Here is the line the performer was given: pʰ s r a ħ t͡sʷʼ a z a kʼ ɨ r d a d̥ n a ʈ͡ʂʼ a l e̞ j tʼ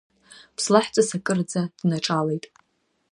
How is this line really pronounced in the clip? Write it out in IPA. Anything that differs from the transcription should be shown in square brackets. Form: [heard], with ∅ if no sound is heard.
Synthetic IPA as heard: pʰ s [l] a ħ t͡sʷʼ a [s] a kʼ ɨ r [d͡z] a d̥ n a ʈ͡ʂʼ a l e̞ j tʼ